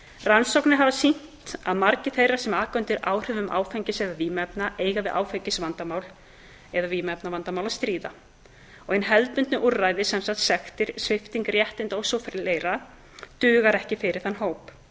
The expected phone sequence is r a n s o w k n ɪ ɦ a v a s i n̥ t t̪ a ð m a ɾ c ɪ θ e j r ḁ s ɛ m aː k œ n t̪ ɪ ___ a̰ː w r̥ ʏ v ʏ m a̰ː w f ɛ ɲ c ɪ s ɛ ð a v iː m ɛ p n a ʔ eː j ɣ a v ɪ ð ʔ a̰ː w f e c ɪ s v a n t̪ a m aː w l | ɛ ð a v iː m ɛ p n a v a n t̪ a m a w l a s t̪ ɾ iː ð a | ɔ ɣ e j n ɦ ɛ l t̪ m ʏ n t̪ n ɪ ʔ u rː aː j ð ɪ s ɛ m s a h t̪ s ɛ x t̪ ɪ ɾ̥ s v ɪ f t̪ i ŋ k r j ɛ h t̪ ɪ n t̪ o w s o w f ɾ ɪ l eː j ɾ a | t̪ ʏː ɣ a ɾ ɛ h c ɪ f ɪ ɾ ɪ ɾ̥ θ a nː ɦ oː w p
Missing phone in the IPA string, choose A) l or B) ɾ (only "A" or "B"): B